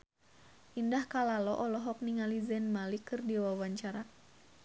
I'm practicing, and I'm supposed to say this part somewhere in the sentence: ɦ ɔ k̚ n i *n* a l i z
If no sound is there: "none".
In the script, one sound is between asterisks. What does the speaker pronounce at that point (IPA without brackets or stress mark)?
ŋ